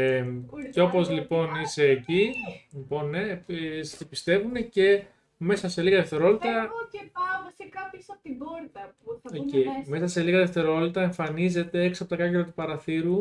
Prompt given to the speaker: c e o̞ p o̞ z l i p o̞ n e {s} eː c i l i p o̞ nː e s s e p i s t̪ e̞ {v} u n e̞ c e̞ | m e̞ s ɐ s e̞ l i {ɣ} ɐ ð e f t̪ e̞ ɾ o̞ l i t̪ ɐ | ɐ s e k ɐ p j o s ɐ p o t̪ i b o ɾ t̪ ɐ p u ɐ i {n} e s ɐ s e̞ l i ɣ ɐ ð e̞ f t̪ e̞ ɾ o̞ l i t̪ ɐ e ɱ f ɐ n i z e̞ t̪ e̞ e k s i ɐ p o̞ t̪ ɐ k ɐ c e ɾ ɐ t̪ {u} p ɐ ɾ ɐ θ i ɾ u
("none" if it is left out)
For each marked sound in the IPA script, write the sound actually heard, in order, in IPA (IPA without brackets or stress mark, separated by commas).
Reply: s, v, ɣ, m, u